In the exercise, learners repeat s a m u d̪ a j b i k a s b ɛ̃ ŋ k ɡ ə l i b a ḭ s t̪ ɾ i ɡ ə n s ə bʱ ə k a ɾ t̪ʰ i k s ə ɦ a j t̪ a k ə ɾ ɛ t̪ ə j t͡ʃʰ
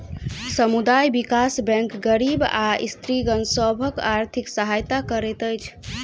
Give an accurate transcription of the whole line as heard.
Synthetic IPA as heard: s ə m u d̪ a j b i k a s b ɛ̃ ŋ k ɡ ə ɾ i b a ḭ s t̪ ɾ i ɡ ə n s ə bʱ ə k a ɾ t̪ʰ i k s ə ɦ a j t̪ a k ə ɾ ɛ t̪ ə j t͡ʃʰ